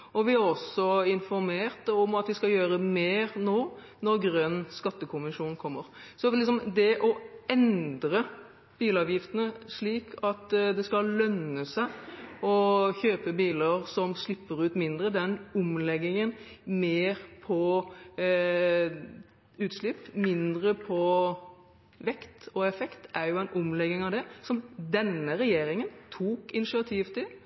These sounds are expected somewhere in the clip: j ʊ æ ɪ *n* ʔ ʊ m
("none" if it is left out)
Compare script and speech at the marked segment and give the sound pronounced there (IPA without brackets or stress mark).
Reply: n